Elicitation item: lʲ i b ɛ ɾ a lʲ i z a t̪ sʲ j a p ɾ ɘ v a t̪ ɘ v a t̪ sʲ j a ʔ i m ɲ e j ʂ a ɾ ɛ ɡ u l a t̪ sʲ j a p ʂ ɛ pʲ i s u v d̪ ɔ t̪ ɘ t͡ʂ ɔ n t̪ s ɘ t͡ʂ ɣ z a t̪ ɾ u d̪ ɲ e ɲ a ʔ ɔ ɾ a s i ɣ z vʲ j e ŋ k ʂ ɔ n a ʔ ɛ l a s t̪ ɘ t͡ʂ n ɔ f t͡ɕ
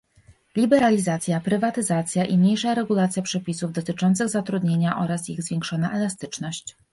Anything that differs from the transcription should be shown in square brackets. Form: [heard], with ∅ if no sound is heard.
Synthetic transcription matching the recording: lʲ i b ɛ ɾ a lʲ i z a t̪ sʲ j a p ɾ ɘ v a t̪ ɘ [z] a t̪ sʲ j a ʔ i m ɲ e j ʂ a ɾ ɛ ɡ u l a t̪ sʲ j a p ʂ ɛ pʲ i s u v d̪ ɔ t̪ ɘ t͡ʂ ɔ n t̪ s ɘ [∅] ɣ z a t̪ ɾ u d̪ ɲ e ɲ a ʔ ɔ ɾ a s i ɣ z vʲ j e ŋ k ʂ ɔ n a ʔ ɛ l a s t̪ ɘ t͡ʂ n ɔ [ɕ] t͡ɕ